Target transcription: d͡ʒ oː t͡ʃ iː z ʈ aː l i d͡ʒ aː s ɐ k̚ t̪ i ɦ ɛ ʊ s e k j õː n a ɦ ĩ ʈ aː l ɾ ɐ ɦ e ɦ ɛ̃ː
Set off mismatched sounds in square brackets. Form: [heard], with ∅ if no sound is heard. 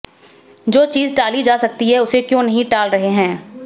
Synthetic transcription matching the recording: d͡ʒ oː t͡ʃ iː z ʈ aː l i d͡ʒ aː s ɐ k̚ t̪ i ɦ ɛ ʊ s e k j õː n [ɐ] ɦ ĩ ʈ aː l ɾ ɐ ɦ e ɦ ɛ̃ː

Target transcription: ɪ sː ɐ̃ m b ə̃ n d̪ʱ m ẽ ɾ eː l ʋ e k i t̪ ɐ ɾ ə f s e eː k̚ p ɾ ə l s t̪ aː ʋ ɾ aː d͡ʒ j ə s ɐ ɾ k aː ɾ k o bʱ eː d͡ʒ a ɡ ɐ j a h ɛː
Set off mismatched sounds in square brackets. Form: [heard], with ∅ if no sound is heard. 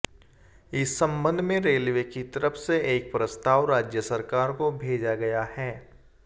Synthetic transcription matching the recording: ɪ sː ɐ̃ m b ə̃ n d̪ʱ m ẽ ɾ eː l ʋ e k i t̪ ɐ ɾ ə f s e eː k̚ p ɾ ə [∅] s t̪ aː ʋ ɾ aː d͡ʒ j ə s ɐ ɾ k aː ɾ k o bʱ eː d͡ʒ a ɡ ɐ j a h ɛː

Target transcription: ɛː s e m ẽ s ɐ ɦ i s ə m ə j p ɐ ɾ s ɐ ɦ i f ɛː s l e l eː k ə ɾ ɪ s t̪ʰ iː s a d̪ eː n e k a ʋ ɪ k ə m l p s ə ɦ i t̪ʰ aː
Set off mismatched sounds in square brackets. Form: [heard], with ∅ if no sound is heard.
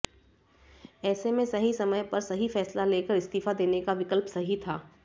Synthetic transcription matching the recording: ɛː s e m ẽ s ɐ ɦ i s [ɐ] m ə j p ɐ ɾ s ɐ ɦ i f ɛː s l [a] l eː k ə ɾ ɪ s [t̪] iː [f] a d̪ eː n e k a ʋ ɪ k ə [∅] l p s [ɐ] ɦ i t̪ʰ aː

